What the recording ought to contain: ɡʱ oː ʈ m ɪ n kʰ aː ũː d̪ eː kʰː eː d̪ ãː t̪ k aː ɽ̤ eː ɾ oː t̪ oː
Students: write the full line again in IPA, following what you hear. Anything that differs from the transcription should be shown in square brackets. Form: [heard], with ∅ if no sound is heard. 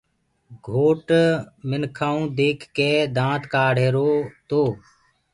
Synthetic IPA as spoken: ɡʱ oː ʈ m ɪ n kʰ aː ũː d̪ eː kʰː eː d̪ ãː t̪ k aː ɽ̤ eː ɾ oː t̪ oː